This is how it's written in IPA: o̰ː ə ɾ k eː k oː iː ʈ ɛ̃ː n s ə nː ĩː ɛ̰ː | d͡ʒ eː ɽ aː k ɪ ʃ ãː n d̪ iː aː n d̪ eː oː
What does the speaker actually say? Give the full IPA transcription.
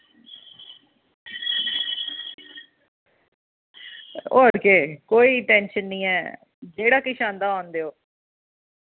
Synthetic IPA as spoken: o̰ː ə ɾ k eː k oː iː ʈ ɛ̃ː n ʃ ə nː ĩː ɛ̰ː | d͡ʒ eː ɽ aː k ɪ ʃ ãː n d̪ aː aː n d̪ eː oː